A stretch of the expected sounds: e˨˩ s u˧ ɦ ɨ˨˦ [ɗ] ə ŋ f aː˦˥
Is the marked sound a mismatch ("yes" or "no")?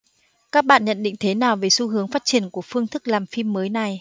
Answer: yes